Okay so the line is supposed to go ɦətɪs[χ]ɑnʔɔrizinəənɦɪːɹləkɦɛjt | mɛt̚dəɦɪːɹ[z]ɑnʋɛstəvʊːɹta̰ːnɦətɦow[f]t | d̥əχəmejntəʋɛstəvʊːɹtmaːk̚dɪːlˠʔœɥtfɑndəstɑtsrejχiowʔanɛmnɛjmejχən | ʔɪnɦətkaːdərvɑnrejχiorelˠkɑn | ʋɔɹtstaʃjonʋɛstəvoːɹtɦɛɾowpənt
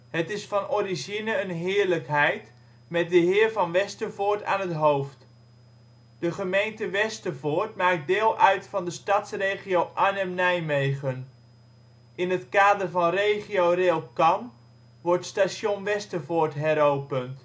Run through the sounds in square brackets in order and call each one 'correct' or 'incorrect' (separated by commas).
incorrect, incorrect, correct